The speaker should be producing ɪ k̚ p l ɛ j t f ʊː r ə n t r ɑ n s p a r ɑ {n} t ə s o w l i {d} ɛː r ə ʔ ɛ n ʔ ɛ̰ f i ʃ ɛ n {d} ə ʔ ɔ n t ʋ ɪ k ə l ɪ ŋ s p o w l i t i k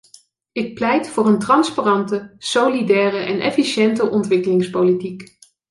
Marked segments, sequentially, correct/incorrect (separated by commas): correct, correct, incorrect